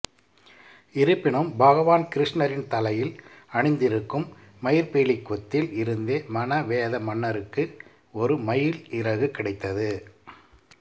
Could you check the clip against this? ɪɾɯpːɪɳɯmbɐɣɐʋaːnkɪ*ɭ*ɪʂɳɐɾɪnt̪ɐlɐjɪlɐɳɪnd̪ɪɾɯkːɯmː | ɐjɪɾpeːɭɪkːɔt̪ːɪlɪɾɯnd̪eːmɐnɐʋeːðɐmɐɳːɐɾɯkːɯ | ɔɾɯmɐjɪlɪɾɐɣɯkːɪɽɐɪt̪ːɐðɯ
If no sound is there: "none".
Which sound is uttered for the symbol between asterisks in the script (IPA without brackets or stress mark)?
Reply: ɾ